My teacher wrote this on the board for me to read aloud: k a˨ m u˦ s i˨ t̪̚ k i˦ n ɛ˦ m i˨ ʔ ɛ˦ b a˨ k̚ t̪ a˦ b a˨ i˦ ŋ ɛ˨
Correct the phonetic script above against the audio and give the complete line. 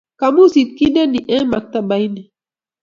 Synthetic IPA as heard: k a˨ m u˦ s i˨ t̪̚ k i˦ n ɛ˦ n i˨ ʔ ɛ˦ m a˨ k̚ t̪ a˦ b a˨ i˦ n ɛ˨